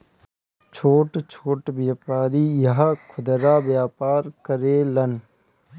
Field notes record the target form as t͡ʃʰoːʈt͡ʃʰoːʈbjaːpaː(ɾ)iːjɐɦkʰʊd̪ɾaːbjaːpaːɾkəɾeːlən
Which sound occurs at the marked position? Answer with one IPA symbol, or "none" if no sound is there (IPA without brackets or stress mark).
ɾ